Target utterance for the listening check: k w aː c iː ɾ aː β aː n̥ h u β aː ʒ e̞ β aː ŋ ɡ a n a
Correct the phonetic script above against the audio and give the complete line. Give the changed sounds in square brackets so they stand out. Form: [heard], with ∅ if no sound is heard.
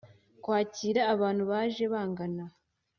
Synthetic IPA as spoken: k w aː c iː ɾ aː β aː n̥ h u β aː ʒ e̞ β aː ŋ ɡ a n a